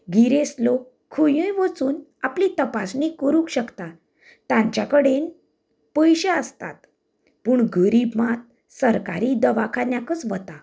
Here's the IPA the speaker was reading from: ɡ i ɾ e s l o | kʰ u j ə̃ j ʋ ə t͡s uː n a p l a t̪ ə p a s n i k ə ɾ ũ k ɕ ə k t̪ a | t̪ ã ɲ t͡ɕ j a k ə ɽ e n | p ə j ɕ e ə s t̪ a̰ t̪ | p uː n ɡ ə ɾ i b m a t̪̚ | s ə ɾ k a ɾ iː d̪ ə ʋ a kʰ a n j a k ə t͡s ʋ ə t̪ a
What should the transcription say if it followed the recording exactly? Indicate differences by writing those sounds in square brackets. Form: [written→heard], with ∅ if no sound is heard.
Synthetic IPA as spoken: ɡ i ɾ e s l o | kʰ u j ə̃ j ʋ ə t͡s uː n a p l [a→i] t̪ ə p a s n i k ə ɾ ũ k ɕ ə k t̪ a | t̪ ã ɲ t͡ɕ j a k ə ɽ e n | p ə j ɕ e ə s t̪ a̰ t̪ | p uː [n→ɳ] ɡ ə ɾ i b m a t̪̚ | s ə ɾ k a ɾ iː d̪ ə ʋ a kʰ a n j a k ə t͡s ʋ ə t̪ a